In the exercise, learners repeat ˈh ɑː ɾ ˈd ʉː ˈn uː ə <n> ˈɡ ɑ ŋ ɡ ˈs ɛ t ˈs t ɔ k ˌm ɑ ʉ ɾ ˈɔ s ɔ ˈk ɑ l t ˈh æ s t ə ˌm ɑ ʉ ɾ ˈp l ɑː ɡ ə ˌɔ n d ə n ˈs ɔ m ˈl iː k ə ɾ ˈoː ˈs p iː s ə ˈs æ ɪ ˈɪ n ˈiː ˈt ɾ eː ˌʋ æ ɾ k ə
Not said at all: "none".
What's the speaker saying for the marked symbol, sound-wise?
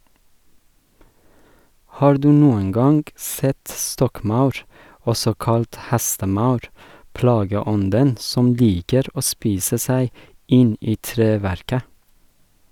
ŋ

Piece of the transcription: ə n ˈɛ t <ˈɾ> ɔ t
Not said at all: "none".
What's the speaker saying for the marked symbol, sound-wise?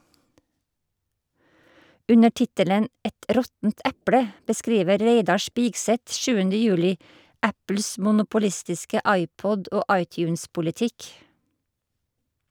ɾ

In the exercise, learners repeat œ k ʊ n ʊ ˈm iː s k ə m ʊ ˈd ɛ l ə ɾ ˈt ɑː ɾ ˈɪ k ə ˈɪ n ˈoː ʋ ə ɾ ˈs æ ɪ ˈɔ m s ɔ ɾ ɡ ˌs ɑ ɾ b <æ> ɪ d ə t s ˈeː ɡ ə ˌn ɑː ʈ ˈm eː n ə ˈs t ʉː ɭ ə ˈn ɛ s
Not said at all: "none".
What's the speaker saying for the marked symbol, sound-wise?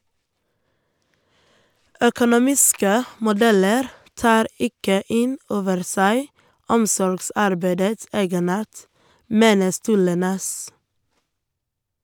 æ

